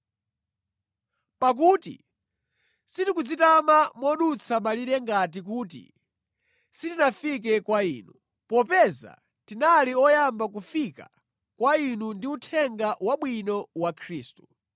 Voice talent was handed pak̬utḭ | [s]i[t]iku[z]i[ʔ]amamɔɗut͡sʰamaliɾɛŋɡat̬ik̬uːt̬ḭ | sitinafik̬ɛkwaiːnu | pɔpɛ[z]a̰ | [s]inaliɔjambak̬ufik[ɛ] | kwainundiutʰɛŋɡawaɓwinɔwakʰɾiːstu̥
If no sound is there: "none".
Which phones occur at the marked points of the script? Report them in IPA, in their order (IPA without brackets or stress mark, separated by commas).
s, t, d͡z, t, z, t, a